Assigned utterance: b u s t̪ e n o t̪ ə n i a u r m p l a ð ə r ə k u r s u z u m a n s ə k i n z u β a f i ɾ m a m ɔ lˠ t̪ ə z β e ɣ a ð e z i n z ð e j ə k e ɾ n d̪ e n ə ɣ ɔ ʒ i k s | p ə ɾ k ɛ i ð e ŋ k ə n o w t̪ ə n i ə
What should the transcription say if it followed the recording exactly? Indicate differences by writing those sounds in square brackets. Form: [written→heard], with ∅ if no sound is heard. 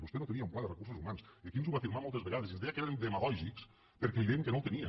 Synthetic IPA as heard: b u s t̪ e n o t̪ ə n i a u [r→∅] m p l a ð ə r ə k u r s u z u m a n s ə k i n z u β a f i ɾ m a m ɔ lˠ t̪ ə z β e ɣ a ð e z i n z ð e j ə k e ɾ n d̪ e [n→m] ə ɣ ɔ ʒ i k s | p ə ɾ k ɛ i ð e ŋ k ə n o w t̪ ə n i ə